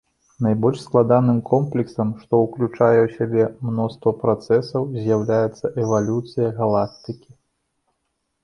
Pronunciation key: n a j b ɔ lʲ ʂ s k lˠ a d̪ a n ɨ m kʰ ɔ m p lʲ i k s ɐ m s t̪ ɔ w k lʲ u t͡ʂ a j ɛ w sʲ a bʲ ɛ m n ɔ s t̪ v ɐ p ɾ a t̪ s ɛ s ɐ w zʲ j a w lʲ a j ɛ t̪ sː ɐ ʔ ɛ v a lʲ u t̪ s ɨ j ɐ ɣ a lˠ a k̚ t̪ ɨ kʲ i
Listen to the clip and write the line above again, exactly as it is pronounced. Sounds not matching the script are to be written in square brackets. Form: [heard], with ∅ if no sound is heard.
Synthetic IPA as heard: n a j b ɔ lʲ ʂ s k lˠ a d̪ a n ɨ m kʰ ɔ m p lʲ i k s ɐ m [ʂ] t̪ ɔ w k lʲ u t͡ʂ a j ɛ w sʲ a bʲ ɛ m n ɔ s t̪ v ɐ p ɾ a t̪ s ɛ s ɐ w zʲ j a w lʲ a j ɛ t̪ sː ɐ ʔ ɛ v a lʲ u t̪ s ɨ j ɐ ɣ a lˠ a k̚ t̪ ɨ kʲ i